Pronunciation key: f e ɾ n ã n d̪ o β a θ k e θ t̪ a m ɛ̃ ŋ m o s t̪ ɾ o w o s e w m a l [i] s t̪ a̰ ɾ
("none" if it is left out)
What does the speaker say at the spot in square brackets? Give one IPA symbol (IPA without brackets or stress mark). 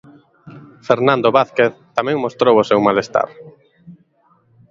e